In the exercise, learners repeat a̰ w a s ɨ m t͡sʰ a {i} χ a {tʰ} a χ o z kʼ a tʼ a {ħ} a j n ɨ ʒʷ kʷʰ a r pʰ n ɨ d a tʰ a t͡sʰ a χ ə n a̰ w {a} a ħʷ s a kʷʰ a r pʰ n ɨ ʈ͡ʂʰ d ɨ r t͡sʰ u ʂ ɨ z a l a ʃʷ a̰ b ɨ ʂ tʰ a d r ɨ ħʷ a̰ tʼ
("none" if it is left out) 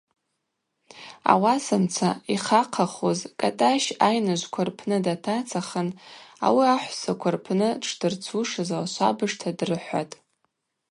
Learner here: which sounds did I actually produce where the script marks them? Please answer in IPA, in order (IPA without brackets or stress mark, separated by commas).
i, qʰ, ʃ, i